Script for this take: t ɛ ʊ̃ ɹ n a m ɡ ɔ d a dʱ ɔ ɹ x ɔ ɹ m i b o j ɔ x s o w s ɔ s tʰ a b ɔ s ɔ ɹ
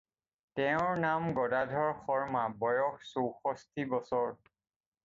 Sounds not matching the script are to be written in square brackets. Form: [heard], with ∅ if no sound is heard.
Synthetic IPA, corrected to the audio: t ɛ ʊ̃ ɹ n a m ɡ ɔ d a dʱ ɔ ɹ x ɔ ɹ m [a] b [ɔ] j ɔ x s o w [x] ɔ s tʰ [i] b ɔ s ɔ ɹ

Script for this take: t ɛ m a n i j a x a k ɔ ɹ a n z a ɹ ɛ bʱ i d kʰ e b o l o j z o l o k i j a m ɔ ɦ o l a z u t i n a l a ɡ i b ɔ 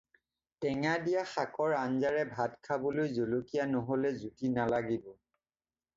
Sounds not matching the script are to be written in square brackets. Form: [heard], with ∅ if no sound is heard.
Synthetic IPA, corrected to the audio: t ɛ [ŋ] a [d] i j a x a k ɔ ɹ a n z a ɹ ɛ bʱ [a] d kʰ [a] b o l o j z o l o k i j a [n] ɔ ɦ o l [ɛ] z u t i n a l a ɡ i b ɔ

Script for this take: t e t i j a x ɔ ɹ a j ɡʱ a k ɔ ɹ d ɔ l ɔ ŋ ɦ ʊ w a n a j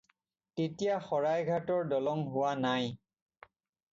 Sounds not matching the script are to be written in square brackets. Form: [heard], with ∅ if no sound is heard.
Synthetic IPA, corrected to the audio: t e t i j a x ɔ ɹ a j ɡʱ a [t] ɔ ɹ d ɔ l ɔ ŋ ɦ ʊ w a n a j

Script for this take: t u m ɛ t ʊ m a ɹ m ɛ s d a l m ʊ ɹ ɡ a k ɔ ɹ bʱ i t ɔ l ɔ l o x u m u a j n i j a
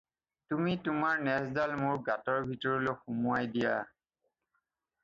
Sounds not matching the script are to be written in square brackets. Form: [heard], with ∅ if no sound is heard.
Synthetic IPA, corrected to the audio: t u m [i] t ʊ m a ɹ [n] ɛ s d a l m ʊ ɹ ɡ a [t] ɔ ɹ bʱ i t ɔ [ɹ] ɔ l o x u m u a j [d] i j a

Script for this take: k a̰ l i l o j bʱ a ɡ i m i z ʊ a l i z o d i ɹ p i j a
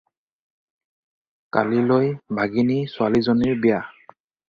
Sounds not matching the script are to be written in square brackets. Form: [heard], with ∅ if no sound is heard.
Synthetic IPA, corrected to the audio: k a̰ l i l o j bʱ a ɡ i [n] i [s] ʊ a l i z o [n] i ɹ [b] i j a

